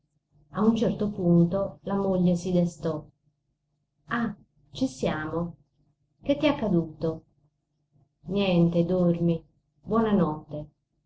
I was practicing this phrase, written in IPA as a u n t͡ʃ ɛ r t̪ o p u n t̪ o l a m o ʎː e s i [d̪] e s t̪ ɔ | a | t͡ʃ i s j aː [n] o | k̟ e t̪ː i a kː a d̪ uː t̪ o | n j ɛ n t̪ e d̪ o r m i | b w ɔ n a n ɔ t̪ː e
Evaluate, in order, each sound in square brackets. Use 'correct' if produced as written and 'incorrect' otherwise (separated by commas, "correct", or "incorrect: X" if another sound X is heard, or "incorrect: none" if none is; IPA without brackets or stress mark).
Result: correct, incorrect: m